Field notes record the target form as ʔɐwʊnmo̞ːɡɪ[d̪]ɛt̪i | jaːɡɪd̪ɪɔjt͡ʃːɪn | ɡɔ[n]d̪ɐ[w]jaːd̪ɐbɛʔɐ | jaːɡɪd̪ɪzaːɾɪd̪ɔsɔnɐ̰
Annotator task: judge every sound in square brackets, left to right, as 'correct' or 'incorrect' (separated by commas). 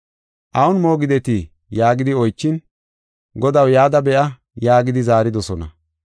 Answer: correct, incorrect, correct